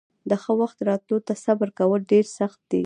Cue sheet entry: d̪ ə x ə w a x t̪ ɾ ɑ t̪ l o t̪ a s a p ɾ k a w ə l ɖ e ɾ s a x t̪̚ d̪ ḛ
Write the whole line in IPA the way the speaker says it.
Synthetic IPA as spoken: d̪ ə x ə w a x t̪ ɾ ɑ t̪ l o t̪ a s a b ɾ k a w ə l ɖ e ɾ s a x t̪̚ d̪ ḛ